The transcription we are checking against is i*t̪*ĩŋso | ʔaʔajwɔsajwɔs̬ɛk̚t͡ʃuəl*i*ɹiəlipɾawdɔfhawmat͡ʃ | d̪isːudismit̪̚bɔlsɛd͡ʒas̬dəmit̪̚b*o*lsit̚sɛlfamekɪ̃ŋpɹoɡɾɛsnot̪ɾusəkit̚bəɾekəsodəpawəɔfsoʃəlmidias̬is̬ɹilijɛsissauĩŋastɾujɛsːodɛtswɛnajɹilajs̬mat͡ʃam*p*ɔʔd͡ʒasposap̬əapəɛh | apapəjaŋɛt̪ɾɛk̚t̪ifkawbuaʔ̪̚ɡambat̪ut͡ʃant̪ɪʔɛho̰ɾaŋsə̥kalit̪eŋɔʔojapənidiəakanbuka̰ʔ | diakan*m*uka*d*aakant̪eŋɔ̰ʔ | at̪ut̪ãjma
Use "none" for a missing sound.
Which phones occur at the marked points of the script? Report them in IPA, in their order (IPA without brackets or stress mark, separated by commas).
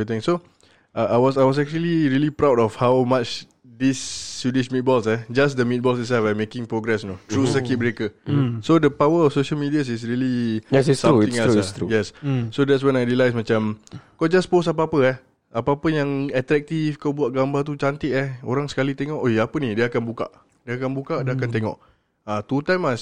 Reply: t̪, i, ɔ, k, b, d